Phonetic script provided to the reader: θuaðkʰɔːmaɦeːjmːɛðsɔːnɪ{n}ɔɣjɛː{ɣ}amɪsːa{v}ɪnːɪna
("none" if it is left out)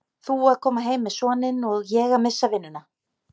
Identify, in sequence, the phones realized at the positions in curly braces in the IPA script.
n, ɣ, v

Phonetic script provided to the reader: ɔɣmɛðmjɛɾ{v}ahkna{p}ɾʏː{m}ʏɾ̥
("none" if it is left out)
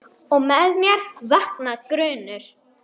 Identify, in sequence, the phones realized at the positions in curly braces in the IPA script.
v, k, n

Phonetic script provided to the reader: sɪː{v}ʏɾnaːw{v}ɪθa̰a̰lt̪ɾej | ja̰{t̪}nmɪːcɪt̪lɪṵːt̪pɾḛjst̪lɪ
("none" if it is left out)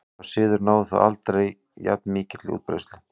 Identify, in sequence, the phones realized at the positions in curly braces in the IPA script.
ð, ð, t̪

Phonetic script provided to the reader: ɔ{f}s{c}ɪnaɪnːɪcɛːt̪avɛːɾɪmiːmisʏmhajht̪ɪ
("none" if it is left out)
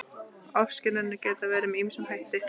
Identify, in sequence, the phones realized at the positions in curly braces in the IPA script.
f, c

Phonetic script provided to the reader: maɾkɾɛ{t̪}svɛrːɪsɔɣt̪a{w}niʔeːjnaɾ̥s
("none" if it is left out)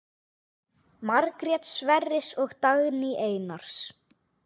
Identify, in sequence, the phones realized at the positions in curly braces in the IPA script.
t̪, ɣ

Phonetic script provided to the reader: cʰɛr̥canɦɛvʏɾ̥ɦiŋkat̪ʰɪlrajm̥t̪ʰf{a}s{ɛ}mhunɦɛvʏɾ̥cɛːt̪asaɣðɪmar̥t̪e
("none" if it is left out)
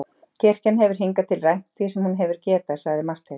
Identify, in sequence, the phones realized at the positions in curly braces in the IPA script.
i, ɛ

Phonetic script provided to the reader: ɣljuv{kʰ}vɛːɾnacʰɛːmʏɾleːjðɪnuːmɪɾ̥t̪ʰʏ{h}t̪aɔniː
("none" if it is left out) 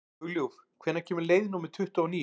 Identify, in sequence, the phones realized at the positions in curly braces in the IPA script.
kʰ, h

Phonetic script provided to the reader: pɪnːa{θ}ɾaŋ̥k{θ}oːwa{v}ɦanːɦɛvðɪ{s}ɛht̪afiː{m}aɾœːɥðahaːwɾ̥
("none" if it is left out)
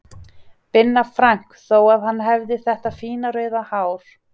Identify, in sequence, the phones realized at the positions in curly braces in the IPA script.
f, θ, ð, θ, n

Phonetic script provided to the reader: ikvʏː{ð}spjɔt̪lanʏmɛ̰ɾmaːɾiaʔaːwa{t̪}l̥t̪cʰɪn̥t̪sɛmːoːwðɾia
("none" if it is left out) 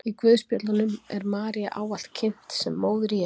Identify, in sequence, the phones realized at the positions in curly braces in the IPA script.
ð, none

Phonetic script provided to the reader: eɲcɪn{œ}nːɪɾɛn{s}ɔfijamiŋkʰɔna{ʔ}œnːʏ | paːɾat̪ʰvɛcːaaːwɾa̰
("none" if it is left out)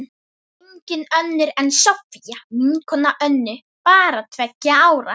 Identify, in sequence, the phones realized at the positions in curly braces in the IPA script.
œ, s, ʔ

